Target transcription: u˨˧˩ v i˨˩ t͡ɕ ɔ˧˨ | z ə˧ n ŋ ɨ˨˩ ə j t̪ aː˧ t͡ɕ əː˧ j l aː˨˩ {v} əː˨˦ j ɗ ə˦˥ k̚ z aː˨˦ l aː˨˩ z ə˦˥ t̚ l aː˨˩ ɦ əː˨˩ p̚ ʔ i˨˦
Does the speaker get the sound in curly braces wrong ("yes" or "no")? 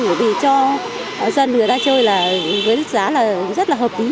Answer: no